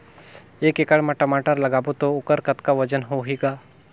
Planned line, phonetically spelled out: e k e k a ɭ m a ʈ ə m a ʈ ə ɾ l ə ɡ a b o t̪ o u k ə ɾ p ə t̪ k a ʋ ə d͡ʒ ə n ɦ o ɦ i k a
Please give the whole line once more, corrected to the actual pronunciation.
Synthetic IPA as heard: e k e k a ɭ m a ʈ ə m a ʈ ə ɾ l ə ɡ a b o t̪ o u k ə ɾ k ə t̪ k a ʋ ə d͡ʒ ə n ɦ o ɦ i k a